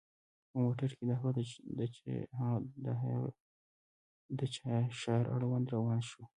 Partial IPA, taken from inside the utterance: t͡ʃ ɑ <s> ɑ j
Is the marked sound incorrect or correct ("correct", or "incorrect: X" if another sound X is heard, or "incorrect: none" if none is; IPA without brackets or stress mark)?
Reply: incorrect: ʃ